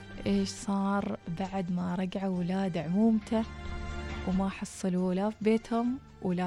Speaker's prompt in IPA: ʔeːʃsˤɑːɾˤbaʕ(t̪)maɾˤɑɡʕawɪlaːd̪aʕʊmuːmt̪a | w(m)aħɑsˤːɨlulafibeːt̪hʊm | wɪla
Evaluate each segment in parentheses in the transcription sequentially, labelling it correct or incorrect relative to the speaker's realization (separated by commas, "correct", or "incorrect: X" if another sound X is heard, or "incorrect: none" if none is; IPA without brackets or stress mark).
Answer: incorrect: d̪, correct